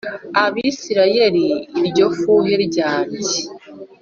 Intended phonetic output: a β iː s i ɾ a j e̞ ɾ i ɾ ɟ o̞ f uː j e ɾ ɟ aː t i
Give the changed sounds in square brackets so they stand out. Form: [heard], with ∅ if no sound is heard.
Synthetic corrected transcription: a β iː s i ɾ a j e̞ ɾ i ɾ ɟ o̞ f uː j e ɾ ɟ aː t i